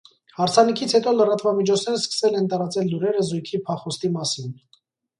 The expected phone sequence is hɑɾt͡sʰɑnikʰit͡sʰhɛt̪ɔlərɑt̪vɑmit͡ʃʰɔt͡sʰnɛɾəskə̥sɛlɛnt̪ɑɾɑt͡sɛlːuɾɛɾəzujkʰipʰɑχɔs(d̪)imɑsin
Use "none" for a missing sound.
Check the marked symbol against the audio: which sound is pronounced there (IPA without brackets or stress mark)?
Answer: t̪